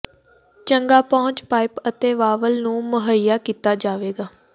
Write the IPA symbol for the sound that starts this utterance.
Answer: t͡ʃ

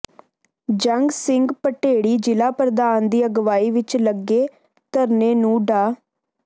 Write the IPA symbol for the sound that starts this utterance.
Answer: d͡ʒ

